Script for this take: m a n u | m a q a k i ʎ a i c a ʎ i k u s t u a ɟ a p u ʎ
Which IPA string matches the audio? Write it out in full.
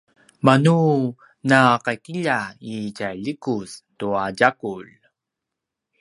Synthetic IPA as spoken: m a n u | n a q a k i ʎ a i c a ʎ i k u s t u a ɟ a k u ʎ